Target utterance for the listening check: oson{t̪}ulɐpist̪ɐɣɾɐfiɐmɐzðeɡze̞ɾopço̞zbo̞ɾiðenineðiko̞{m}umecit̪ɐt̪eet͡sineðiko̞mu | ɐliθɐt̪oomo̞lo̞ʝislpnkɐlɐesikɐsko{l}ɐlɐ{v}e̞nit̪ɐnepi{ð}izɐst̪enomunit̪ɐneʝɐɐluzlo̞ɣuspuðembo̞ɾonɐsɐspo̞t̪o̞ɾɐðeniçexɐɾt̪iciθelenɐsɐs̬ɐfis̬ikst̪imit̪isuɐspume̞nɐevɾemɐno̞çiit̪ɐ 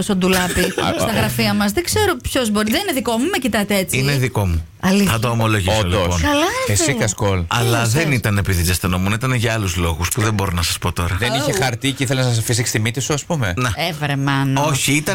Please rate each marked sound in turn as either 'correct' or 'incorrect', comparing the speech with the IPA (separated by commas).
incorrect, correct, correct, incorrect, correct